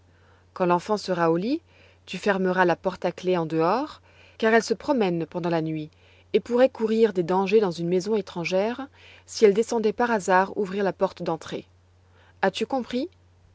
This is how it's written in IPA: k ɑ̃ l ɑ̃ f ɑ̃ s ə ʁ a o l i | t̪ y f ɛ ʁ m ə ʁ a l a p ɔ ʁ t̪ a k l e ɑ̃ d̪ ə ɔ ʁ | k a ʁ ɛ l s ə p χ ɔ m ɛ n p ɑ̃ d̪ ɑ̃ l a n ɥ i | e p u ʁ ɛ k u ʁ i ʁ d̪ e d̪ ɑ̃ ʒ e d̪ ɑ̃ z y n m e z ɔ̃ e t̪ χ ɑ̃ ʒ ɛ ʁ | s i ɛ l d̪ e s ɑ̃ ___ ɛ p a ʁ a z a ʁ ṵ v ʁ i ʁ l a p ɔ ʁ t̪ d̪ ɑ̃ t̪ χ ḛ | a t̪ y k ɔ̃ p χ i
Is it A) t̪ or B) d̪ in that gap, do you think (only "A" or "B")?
B